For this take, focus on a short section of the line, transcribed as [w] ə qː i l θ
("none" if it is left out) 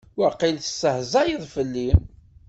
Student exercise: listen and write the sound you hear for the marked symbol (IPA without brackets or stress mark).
w